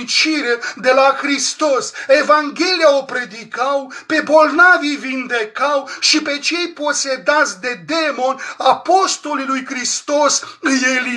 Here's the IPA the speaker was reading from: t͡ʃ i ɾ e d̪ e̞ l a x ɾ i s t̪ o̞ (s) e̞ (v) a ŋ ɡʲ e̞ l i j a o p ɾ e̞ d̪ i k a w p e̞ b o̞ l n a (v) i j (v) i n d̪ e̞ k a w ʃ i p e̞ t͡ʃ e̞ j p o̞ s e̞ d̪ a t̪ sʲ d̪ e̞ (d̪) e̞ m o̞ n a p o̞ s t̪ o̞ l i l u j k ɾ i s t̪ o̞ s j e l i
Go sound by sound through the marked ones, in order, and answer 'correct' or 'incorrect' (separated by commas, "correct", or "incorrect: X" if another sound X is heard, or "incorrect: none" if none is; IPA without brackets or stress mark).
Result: correct, correct, correct, correct, correct